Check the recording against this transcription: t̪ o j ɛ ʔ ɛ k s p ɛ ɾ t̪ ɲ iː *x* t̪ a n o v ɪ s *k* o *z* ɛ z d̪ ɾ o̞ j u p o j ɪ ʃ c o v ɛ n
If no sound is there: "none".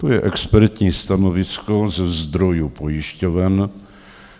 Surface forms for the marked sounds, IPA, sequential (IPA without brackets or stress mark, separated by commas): s, k, z